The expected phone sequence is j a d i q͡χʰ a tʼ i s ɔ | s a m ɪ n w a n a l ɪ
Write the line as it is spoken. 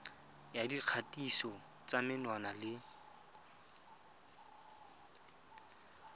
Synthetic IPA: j a d i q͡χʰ a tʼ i s ɔ | t͡s a m ɪ n w a n a l ɪ